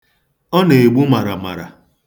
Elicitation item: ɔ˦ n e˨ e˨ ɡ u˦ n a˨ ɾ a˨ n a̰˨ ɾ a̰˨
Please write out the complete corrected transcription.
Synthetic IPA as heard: ɔ˦ n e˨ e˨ ɡ͡b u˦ m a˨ ɾ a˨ m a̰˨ ɾ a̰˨